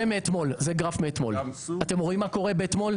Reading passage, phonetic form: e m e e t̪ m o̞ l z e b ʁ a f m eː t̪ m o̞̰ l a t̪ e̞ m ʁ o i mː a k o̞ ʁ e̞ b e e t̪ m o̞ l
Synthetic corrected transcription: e m e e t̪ m o̞ l z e ɡ ʁ a f m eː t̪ m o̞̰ l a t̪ e̞ m ʁ o i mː a k o̞ ʁ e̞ b e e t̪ m o̞ l